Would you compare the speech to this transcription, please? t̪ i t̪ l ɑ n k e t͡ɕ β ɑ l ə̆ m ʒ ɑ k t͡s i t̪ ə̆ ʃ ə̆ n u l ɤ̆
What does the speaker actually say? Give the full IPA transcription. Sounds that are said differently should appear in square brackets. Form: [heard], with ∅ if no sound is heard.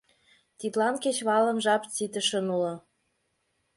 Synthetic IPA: t̪ i t̪ l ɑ n k e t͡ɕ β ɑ l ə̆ m ʒ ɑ [p] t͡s i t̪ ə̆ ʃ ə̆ n u l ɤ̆